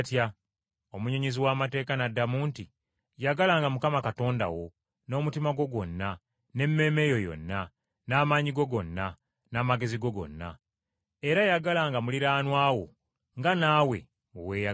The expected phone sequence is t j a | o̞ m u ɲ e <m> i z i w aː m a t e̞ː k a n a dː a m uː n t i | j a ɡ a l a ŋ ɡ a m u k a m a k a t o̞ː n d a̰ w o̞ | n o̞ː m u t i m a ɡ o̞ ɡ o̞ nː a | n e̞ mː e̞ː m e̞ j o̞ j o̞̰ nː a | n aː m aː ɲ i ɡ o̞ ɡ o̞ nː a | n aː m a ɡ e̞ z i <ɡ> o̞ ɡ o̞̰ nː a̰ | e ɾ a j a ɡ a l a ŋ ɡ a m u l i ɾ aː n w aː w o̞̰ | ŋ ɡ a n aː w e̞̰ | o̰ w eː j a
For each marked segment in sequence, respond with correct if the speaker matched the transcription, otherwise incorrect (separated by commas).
incorrect, correct